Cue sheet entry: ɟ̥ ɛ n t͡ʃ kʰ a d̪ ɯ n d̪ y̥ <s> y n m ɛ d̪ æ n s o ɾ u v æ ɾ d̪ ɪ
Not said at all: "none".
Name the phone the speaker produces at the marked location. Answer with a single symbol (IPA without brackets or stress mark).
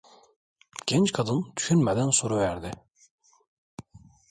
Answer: ʃ